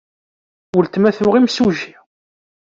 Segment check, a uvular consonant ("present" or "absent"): present